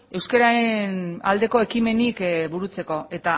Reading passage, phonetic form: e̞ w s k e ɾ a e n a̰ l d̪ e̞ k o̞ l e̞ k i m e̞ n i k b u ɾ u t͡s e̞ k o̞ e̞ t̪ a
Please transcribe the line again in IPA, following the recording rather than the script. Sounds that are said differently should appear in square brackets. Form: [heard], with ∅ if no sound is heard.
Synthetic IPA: e̞ w s k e ɾ a e n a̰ l d̪ e̞ k o̞ [∅] e̞ k i m e̞ n i k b u ɾ u t͡s e̞ k o̞ e̞ t̪ a